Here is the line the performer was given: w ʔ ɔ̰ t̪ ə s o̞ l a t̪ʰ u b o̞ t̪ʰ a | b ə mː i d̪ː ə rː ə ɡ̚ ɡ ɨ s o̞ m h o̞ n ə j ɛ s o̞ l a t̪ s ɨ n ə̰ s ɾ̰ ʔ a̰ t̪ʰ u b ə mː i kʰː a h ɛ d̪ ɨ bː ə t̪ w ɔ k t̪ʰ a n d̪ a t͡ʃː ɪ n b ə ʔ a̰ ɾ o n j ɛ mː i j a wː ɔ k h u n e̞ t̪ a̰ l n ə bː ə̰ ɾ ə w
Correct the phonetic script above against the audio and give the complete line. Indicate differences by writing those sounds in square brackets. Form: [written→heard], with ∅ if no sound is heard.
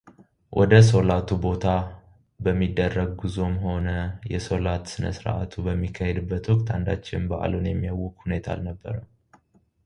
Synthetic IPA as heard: w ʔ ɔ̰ [t̪→d̪] ə s o̞ l a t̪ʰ u b o̞ t̪ʰ a | b ə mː i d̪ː ə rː ə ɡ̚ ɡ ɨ [s→z] o̞ m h o̞ n ə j ɛ s o̞ l a t̪ s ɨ n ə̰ s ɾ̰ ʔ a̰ t̪ʰ u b ə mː i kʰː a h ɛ d̪ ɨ bː ə t̪ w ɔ k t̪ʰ a n d̪ a t͡ʃː ɪ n b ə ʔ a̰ [ɾ→l] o n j ɛ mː i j a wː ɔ k h u n e̞ [t̪→t̪ʰ] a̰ l n ə bː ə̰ ɾ ə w